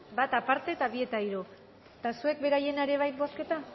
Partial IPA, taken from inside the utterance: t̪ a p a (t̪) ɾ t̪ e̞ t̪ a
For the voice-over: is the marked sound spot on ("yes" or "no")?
no